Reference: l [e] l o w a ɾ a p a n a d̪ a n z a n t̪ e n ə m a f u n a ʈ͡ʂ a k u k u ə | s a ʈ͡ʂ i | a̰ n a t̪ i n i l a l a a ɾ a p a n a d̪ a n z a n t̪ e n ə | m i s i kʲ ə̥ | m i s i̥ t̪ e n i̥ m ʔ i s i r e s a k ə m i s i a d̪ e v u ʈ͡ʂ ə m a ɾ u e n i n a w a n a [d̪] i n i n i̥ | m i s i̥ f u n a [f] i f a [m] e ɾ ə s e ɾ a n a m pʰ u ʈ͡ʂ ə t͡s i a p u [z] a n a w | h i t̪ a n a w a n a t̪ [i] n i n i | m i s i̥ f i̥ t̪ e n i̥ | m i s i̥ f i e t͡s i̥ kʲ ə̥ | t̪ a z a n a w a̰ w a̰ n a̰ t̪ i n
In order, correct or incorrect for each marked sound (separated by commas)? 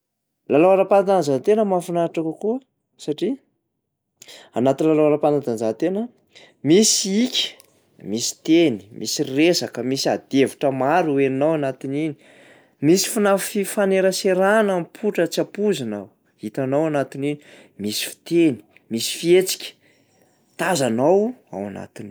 incorrect, incorrect, correct, incorrect, correct, correct